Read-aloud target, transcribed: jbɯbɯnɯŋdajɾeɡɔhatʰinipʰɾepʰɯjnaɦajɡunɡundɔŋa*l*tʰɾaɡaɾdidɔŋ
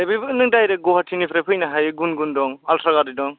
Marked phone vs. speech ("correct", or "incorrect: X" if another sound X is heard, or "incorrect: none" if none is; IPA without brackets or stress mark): correct